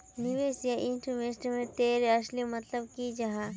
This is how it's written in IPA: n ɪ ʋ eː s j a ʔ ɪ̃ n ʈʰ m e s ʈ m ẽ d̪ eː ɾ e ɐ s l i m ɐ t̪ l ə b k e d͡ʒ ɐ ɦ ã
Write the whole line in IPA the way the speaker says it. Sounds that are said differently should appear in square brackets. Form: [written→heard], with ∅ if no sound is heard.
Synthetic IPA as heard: n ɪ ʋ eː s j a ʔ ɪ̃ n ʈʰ m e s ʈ m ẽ [d̪→t̪] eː ɾ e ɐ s l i m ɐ t̪ l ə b k [e→i] d͡ʒ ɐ ɦ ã